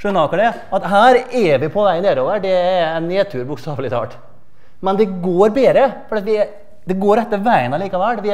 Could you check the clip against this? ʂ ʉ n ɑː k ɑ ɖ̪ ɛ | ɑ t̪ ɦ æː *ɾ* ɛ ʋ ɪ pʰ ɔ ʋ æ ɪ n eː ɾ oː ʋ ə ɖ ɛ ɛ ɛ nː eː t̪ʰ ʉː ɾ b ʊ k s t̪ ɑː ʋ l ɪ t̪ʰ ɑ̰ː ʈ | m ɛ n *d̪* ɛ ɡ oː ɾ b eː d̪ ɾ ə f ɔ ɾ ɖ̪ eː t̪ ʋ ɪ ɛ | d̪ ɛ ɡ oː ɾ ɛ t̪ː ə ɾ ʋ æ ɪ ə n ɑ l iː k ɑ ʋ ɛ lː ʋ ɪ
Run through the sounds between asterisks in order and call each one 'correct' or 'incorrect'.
correct, correct

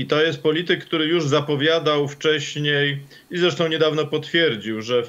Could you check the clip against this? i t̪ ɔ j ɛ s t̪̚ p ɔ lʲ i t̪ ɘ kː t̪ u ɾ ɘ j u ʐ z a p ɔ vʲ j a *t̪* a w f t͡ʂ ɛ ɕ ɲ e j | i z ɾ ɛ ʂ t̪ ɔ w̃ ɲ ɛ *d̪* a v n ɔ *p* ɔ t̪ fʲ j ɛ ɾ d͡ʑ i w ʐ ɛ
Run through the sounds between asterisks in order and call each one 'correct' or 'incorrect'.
incorrect: d̪, correct, correct

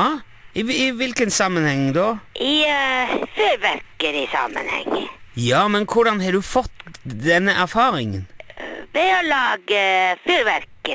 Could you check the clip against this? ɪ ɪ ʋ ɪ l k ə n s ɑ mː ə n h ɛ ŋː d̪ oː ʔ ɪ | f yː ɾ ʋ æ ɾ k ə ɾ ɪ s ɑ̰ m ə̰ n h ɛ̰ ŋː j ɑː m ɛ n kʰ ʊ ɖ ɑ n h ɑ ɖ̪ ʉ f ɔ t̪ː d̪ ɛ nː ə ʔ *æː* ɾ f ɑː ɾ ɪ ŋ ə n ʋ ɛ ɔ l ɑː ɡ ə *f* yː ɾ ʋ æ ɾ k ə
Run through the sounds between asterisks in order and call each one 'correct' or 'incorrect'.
incorrect: æ, correct

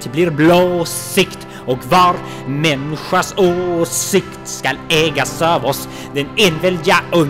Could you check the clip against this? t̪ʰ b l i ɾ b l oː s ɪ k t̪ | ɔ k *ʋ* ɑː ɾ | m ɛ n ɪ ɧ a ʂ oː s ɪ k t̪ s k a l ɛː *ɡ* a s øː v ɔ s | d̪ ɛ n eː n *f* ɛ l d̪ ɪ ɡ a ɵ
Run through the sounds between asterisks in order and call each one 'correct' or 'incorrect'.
incorrect: v, correct, incorrect: v

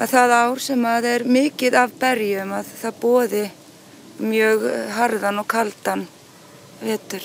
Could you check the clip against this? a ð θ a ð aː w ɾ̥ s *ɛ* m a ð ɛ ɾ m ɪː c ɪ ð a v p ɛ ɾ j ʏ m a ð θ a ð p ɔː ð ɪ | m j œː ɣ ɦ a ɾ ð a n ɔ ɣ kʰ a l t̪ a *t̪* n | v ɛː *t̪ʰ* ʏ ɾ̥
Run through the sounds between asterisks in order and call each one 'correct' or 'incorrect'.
correct, incorrect: none, incorrect: t̪

